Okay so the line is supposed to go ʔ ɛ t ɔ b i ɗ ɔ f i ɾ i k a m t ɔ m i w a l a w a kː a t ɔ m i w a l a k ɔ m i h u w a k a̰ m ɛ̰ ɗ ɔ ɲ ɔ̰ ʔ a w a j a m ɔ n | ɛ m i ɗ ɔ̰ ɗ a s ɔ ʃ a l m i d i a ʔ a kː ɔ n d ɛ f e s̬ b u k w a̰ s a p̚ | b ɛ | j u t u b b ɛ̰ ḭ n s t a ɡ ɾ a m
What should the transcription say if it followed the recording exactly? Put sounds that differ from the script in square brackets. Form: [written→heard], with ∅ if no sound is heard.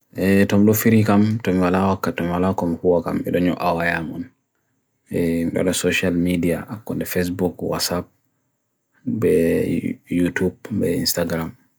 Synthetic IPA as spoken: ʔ ɛ t ɔ [b→m] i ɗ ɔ f i ɾ i k a m t ɔ m i w a l a w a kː a t ɔ m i w a l a k ɔ m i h u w a k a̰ m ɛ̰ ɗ ɔ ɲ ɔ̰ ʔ a w a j a m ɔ n | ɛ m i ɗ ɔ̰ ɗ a s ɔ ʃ a l m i d i a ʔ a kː ɔ n d ɛ f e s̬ b u k w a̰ s a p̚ | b ɛ | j u t u b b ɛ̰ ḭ n s t a ɡ ɾ a m

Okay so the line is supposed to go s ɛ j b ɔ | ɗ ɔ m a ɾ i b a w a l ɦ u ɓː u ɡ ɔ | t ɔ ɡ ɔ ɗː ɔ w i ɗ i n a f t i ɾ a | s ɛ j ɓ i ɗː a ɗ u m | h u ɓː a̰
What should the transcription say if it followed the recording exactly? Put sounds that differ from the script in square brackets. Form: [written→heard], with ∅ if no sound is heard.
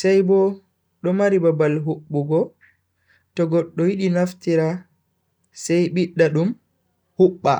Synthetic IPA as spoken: s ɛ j b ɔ | ɗ ɔ m a ɾ i b a [w→b] a l ɦ u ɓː u ɡ ɔ | t ɔ ɡ ɔ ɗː ɔ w i ɗ i n a f t i ɾ a | s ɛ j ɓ i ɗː a ɗ u m | h u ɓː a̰

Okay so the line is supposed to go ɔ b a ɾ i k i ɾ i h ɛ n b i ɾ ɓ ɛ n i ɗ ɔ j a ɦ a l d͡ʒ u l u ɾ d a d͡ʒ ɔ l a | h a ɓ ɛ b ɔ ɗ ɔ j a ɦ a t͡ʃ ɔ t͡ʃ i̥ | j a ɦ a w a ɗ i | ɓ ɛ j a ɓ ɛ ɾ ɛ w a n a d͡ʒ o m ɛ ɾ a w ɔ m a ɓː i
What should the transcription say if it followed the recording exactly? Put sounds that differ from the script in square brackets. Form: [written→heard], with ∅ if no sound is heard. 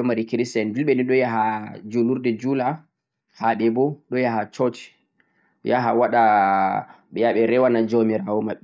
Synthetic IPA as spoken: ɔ [b→m] a ɾ i k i ɾ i [h→s] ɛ n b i [ɾ→l] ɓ ɛ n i ɗ ɔ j a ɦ a [l→∅] d͡ʒ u l u ɾ d [a→ɛ] d͡ʒ [ɔ→u] l a | h a ɓ ɛ b ɔ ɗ ɔ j a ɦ a t͡ʃ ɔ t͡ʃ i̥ | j a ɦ a w a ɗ [i→a] | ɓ ɛ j a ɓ ɛ ɾ ɛ w a n a d͡ʒ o m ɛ ɾ a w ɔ m a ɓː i

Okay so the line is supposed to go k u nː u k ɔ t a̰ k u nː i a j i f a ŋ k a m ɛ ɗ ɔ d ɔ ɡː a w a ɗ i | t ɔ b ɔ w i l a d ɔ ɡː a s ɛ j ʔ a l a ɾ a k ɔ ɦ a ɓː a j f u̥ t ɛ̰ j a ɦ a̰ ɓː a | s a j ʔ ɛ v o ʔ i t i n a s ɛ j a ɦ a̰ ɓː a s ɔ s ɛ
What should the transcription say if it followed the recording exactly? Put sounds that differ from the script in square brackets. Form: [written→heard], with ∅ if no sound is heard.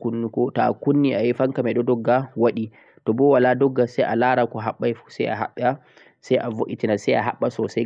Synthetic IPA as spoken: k u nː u k ɔ t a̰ k u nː i a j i f a ŋ k a m ɛ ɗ ɔ d ɔ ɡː a w a ɗ i | t ɔ b ɔ w [i→a] l a d ɔ ɡː a s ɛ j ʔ a l a ɾ a k ɔ ɦ a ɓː a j f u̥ [t→s] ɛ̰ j a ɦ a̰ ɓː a | s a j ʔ [ɛ→a] v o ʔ i t i n a s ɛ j a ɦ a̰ ɓː a s ɔ s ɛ

